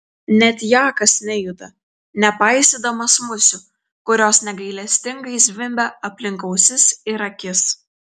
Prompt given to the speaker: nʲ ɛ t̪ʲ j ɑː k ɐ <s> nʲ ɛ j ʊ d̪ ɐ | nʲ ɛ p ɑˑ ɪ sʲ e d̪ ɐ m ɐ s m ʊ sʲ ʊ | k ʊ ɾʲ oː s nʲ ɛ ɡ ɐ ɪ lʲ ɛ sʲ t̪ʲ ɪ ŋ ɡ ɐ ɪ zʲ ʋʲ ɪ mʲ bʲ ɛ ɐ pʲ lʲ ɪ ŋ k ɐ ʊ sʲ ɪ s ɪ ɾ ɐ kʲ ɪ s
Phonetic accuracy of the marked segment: correct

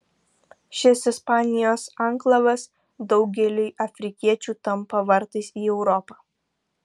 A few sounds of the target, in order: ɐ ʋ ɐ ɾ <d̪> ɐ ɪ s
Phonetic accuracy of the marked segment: incorrect: t̪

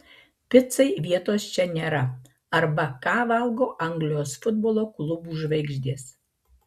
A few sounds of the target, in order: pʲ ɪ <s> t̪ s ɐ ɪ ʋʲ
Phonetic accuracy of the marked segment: incorrect: none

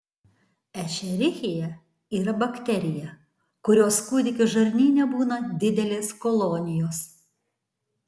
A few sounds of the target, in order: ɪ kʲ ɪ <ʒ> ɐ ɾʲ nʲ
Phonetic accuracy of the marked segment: correct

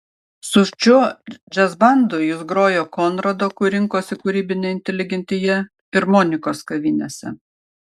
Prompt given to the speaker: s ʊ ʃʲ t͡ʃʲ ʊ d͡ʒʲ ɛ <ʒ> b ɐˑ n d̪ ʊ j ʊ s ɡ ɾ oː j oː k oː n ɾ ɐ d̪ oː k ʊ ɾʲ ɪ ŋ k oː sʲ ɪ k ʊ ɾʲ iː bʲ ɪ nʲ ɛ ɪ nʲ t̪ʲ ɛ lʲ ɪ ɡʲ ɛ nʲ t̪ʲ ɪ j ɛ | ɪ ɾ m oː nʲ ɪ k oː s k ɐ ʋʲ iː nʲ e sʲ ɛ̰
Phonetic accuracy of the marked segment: incorrect: z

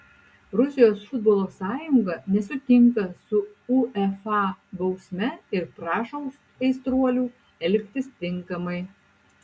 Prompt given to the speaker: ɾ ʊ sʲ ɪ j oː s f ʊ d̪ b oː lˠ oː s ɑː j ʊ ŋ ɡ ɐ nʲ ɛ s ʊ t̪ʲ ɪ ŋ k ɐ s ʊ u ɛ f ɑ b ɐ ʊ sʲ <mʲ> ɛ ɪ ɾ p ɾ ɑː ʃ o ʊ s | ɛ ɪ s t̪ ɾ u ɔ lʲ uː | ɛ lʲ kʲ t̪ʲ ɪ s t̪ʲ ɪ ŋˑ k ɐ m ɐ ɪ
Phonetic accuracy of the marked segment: correct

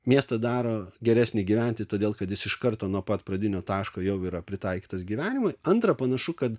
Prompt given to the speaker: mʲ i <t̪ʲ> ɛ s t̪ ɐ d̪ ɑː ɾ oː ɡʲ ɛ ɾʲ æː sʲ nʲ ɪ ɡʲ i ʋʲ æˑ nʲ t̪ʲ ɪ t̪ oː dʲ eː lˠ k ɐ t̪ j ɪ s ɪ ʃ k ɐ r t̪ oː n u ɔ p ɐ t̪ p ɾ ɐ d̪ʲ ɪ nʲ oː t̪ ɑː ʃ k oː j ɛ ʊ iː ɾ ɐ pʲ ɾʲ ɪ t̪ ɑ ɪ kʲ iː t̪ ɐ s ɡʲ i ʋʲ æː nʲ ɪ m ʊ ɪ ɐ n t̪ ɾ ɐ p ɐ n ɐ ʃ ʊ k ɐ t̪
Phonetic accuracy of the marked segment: incorrect: none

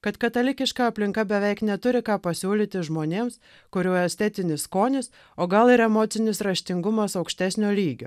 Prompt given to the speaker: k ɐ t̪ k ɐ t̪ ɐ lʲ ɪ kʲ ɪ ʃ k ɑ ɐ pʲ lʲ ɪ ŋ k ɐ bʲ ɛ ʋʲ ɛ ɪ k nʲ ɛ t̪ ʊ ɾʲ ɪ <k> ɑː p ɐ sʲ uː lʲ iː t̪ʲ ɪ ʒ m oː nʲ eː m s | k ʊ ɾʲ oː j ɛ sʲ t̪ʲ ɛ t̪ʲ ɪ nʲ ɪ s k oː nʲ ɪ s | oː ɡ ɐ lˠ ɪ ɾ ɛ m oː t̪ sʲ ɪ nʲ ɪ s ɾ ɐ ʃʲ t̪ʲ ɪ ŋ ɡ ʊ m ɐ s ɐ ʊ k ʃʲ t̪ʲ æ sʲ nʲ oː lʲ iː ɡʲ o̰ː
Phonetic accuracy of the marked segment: correct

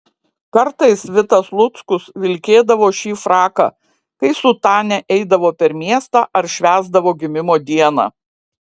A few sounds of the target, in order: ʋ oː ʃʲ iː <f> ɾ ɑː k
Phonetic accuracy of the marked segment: correct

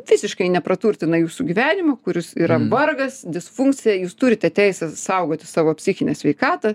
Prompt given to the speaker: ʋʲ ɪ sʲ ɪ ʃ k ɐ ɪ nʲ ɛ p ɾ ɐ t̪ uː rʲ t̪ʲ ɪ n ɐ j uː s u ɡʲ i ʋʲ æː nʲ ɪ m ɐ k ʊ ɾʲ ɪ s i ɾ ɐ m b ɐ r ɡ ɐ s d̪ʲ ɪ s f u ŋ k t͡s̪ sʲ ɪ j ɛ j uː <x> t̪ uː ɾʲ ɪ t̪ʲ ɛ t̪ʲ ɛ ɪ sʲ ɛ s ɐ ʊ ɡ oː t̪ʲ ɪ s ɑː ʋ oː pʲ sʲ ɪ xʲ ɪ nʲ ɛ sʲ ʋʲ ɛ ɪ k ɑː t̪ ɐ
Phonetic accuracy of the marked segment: incorrect: s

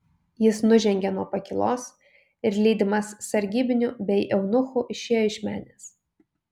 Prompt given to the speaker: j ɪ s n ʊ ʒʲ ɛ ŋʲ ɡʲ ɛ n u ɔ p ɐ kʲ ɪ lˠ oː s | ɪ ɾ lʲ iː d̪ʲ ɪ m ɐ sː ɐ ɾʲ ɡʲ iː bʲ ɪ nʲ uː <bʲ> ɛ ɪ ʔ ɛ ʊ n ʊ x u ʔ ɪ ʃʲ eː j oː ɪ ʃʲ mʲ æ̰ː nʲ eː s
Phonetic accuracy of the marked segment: correct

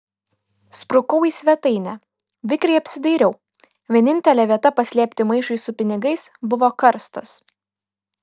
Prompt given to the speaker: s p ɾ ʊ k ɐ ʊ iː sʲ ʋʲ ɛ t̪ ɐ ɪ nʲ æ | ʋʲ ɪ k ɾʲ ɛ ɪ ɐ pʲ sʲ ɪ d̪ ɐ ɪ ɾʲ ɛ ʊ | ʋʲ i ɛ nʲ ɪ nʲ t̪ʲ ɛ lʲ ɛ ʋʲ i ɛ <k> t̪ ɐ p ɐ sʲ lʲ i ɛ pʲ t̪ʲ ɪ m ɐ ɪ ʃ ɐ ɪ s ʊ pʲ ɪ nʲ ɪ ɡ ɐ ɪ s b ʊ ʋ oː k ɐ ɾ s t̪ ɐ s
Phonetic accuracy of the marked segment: incorrect: none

